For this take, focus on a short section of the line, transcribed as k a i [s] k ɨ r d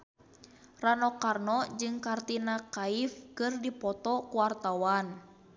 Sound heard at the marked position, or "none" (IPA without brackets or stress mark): f